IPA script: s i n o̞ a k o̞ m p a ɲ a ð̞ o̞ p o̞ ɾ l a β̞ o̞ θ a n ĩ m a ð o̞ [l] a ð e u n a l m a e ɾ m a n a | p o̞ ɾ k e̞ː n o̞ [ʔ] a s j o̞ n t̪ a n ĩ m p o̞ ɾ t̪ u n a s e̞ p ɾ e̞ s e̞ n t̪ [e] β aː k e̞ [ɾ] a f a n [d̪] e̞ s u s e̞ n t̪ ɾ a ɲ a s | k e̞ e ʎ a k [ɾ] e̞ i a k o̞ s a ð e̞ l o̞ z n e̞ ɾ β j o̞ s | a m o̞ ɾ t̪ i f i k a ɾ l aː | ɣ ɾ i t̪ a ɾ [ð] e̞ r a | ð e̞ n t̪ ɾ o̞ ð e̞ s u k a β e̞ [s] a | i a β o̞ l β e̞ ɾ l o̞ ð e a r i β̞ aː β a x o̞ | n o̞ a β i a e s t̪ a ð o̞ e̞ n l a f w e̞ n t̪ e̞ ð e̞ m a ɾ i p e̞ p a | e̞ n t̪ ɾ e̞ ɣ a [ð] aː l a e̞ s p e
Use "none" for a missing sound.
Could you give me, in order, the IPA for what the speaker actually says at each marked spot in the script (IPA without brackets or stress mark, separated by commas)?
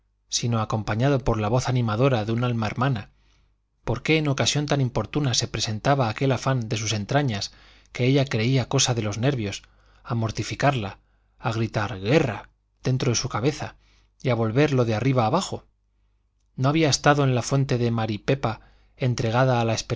ɾ, k, a, l, d̪, ɾ, ɣ, θ, ð